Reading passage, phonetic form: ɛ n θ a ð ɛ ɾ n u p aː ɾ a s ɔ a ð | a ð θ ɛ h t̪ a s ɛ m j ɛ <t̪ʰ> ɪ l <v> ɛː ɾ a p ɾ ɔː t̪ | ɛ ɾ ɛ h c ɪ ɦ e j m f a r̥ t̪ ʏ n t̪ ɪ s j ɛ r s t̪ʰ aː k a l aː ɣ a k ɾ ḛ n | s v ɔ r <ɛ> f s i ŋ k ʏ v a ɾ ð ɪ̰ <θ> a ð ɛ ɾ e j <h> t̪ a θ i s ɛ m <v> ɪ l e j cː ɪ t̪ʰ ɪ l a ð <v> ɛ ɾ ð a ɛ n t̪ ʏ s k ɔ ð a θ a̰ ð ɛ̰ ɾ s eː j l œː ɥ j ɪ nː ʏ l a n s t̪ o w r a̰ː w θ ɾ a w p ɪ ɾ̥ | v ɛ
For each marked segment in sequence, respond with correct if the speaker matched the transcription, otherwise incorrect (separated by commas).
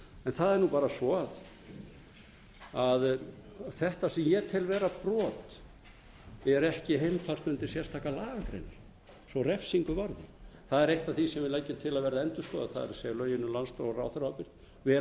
correct, correct, correct, correct, correct, correct, correct